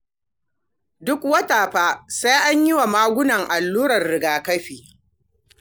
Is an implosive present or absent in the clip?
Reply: absent